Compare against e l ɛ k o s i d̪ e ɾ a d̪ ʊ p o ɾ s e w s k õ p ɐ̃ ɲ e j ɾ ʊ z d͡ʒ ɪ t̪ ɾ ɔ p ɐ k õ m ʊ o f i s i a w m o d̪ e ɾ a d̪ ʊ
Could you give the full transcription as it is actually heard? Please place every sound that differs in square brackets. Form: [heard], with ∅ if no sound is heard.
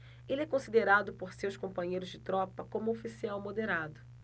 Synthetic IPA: e l ɛ k [õ] s i d̪ e ɾ a d̪ ʊ p o ɾ s e w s k õ p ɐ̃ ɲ e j ɾ ʊ z d͡ʒ ɪ t̪ ɾ ɔ p ɐ k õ m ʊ o f i s i a w m o d̪ e ɾ a d̪ ʊ

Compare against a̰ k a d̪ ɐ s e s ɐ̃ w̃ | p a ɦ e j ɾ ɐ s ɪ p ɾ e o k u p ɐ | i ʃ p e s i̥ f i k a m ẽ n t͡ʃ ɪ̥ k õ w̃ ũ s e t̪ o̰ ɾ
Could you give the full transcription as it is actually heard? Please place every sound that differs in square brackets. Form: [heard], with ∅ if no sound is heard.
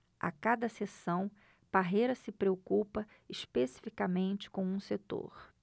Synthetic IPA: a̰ k a d̪ ɐ s e s ɐ̃ w̃ | p a ɦ e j ɾ ɐ s ɪ p ɾ e o k u p ɐ | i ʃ p e s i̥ f i k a m ẽ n t͡ʃ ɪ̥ k õ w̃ ũ s e t̪ o̰ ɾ

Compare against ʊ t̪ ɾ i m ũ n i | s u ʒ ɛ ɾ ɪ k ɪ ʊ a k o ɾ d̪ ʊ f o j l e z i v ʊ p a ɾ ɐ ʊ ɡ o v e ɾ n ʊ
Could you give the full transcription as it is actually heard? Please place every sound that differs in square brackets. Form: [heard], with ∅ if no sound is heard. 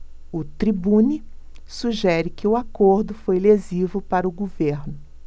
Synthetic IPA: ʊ t̪ ɾ i [b] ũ n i | s u ʒ ɛ ɾ ɪ k ɪ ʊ a k o ɾ d̪ ʊ f o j l e z i v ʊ p a ɾ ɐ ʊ ɡ o v e ɾ n ʊ

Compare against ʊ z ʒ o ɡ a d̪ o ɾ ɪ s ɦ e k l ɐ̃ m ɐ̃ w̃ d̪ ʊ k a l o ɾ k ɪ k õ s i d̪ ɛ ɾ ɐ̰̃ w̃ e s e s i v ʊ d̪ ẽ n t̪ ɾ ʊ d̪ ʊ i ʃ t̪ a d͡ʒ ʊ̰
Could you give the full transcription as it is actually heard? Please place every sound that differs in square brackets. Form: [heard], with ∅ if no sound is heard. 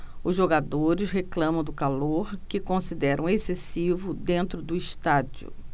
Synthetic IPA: ʊ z ʒ o ɡ a d̪ o ɾ ɪ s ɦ e k l ɐ̃ m ɐ̃ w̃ d̪ ʊ k a l o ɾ k ɪ k õ s i d̪ ɛ ɾ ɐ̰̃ w̃ e s e s i v ʊ d̪ ẽ n t̪ ɾ ʊ d̪ ʊ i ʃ t̪ a d͡ʒ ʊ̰

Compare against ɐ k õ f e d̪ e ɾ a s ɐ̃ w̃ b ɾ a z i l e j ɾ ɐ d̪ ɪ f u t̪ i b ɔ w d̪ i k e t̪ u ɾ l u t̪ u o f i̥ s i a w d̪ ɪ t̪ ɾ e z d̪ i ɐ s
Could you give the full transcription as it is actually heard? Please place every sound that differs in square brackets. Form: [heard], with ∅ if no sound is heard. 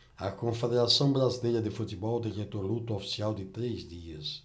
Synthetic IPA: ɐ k õ f e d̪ e ɾ a s ɐ̃ w̃ b ɾ a z i l e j ɾ ɐ d̪ ɪ f u t̪ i b ɔ w d̪ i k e t̪ [o] ɾ l u t̪ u o f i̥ s i a w d̪ ɪ t̪ ɾ e z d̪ i ɐ s

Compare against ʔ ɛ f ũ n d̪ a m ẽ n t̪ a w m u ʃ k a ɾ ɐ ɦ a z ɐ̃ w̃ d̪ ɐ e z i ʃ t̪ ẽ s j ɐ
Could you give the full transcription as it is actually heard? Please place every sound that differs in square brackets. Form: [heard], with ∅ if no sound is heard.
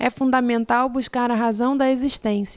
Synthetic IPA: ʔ ɛ f ũ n d̪ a m ẽ n t̪ a w [b] u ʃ k a ɾ ɐ ɦ a z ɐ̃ w̃ d̪ ɐ e z i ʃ t̪ ẽ s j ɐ

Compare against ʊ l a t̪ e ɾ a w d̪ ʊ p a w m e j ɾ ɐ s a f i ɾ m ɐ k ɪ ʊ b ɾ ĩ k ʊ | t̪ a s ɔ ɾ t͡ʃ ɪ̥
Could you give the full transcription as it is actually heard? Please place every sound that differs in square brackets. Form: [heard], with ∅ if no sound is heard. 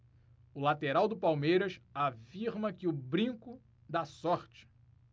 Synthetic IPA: ʊ l a t̪ e ɾ a w d̪ ʊ p a w m e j ɾ ɐ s a f i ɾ m ɐ k ɪ ʊ b ɾ ĩ k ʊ | [d̪] a s ɔ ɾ t͡ʃ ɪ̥

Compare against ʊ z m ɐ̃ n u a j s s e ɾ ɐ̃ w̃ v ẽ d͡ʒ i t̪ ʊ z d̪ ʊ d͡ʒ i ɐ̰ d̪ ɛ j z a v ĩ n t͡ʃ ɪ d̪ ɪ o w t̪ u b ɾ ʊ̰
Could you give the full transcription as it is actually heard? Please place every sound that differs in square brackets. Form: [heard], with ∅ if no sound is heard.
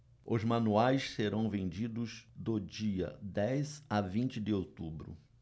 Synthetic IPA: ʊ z m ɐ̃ n u a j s s e ɾ ɐ̃ w̃ v ẽ d͡ʒ i [d̪] ʊ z d̪ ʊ d͡ʒ i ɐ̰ d̪ ɛ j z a v ĩ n t͡ʃ ɪ d̪ ɪ o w t̪ u b ɾ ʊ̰

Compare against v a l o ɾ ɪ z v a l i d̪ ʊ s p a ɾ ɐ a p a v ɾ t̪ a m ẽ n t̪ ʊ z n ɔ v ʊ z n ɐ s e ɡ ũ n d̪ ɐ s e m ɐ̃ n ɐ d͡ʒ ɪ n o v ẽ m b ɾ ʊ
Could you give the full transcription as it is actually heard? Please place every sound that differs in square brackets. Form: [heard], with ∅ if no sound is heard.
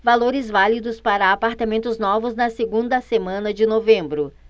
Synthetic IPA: v a l o ɾ ɪ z v a l i d̪ ʊ s p a ɾ ɐ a p a [∅] ɾ t̪ a m ẽ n t̪ ʊ z n ɔ v ʊ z n ɐ s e ɡ ũ n d̪ ɐ s e m ɐ̃ n ɐ d͡ʒ ɪ n o v ẽ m b ɾ ʊ

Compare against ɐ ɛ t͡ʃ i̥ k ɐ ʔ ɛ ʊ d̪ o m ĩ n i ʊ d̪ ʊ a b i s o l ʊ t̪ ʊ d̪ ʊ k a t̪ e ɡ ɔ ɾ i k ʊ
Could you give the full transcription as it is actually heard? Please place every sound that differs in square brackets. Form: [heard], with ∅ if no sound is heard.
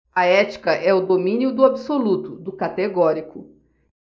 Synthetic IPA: ɐ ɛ t͡ʃ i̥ k ɐ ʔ ɛ ʊ d̪ o m ĩ n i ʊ d̪ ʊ a b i s o l [u] t̪ ʊ d̪ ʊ k a t̪ e ɡ ɔ ɾ i k ʊ

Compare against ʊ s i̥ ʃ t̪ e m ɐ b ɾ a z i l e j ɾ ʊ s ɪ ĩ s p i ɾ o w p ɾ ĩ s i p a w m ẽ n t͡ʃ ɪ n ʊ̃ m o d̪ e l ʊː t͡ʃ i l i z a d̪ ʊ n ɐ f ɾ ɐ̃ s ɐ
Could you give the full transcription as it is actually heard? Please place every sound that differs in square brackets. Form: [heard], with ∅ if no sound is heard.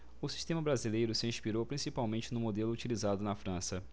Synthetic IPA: ʊ s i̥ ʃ t̪ [ẽ] m ɐ b ɾ a z i l e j ɾ ʊ s ɪ ĩ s p i ɾ o w p ɾ ĩ s i p a w m ẽ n t͡ʃ ɪ n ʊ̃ m o d̪ e l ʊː t͡ʃ i l i z a d̪ ʊ n ɐ f ɾ ɐ̃ s ɐ

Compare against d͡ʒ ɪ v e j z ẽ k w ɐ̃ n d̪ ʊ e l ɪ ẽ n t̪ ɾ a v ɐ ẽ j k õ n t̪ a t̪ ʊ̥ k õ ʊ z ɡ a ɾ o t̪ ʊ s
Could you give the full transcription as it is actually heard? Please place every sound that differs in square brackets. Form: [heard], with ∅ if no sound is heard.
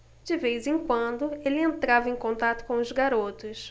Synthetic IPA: d͡ʒ ɪ v e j z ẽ k w ɐ̃ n d̪ ʊ e l ɪ ẽ n t̪ ɾ a v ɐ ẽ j k õ n t̪ a t̪ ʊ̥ k õ ʊ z ɡ a ɾ o t̪ ʊ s

